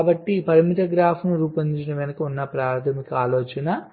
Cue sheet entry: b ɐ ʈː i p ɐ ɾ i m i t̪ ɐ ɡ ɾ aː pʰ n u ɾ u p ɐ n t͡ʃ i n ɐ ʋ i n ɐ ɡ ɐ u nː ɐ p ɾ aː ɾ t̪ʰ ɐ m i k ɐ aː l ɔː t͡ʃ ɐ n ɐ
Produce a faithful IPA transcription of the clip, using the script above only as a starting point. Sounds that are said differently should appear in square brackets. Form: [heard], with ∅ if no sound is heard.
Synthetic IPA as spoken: b ɐ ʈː i p ɐ ɾ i m i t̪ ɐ ɡ ɾ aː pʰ n u ɾ [uː] p ɐ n t͡ʃ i n ɐ ʋ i n ɐ [k] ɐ u nː ɐ p ɾ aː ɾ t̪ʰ ɐ m i k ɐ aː l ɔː t͡ʃ ɐ n ɐ